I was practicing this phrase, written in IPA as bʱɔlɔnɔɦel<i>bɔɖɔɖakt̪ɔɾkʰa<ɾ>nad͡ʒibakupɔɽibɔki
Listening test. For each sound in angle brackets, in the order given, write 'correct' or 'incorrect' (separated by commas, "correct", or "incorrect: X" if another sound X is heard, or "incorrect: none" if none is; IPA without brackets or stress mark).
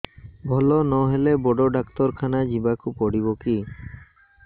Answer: incorrect: e, incorrect: none